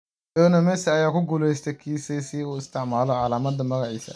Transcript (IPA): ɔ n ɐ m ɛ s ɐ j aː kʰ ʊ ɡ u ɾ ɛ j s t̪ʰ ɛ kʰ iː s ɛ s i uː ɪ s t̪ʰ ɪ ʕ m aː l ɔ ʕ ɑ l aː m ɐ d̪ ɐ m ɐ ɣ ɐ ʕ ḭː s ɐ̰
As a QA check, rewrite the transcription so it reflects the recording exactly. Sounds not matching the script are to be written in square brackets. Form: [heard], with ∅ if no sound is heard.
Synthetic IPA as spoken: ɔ n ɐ m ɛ s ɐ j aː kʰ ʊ ɡ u [l] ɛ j s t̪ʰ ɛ kʰ iː s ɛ s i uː ɪ s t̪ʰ ɪ ʕ m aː l ɔ ʕ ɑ l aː m ɐ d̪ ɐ m ɐ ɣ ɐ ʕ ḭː s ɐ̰